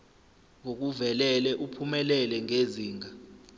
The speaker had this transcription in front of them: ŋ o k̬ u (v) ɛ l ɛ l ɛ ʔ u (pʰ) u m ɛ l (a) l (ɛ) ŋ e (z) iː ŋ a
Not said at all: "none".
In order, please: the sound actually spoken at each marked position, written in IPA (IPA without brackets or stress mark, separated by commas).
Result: v, pʰ, ɛ, ɛ, z